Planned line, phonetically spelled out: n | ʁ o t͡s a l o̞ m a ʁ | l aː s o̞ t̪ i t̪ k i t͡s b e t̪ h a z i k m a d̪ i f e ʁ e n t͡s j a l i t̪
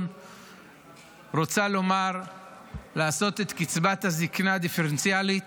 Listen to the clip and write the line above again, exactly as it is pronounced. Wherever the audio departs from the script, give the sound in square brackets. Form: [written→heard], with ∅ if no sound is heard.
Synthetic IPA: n | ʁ o t͡s a l o̞ m a ʁ | l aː s o̞ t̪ [i→e] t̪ k i t͡s b [e→a] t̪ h a z i k [m→n] a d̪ i f e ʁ e n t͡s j a l i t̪